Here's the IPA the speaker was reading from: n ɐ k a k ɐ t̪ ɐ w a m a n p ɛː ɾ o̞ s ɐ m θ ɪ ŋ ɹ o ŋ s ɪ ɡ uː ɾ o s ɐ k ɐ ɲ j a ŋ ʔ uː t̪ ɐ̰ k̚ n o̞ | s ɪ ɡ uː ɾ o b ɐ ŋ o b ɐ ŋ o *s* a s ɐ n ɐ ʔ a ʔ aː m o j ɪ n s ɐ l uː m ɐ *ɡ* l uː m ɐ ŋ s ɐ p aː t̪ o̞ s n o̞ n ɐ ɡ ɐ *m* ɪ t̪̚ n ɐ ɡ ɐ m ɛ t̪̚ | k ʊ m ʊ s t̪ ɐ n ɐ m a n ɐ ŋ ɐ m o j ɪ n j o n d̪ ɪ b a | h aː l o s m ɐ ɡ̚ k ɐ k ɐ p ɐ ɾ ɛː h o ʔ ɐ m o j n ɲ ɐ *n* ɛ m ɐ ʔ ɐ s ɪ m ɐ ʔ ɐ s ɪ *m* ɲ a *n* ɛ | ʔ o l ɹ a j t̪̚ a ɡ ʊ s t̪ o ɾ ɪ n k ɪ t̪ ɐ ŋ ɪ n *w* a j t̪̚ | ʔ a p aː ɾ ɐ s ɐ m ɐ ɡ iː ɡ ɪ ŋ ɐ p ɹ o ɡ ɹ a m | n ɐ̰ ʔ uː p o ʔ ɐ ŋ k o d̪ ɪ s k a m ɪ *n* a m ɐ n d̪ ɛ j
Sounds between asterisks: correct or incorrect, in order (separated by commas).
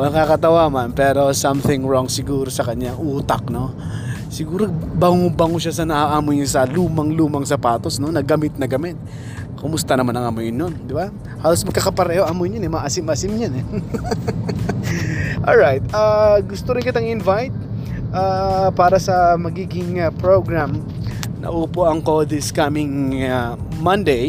incorrect, incorrect, correct, correct, correct, correct, incorrect, incorrect